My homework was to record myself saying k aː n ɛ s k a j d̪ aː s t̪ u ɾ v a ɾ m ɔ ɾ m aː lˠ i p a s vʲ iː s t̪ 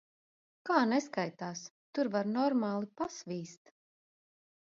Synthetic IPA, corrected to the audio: k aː n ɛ s k a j t̪ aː s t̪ u ɾ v a ɾ n ɔ ɾ m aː lˠ i p a s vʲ iː s t̪